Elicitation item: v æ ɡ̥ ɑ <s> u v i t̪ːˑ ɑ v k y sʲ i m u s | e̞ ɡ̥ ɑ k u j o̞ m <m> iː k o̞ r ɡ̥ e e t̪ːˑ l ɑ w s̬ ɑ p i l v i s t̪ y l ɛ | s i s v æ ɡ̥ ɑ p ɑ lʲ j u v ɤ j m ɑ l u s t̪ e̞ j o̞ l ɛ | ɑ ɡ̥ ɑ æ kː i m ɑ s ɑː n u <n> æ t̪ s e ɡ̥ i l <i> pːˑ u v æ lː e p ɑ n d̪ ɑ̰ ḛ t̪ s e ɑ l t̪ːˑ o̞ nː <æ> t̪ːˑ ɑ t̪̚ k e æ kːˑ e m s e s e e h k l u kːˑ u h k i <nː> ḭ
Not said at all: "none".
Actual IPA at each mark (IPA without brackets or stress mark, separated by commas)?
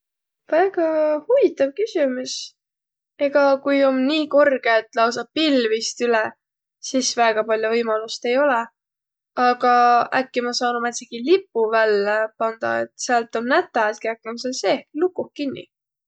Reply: h, n, m, i, æ, nː